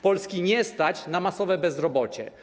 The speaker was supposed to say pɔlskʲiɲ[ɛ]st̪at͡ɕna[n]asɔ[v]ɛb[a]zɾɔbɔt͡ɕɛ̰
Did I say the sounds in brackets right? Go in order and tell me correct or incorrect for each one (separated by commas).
correct, incorrect, correct, incorrect